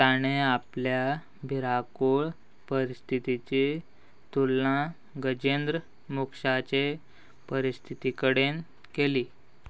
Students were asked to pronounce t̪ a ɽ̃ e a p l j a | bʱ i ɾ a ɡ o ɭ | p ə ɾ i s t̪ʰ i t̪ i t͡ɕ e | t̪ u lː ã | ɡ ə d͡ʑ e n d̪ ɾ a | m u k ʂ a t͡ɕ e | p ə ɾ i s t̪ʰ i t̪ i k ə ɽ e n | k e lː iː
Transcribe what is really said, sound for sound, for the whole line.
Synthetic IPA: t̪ a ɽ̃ e a p l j a | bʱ i ɾ a k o ɭ | p ə ɾ i s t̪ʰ i t̪ i t͡ɕ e | t̪ u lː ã | ɡ ə d͡ʑ e n d̪ ɾ ə | m u k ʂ a t͡ɕ e | p ə ɾ i s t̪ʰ i t̪ i k ə ɽ e n | k e l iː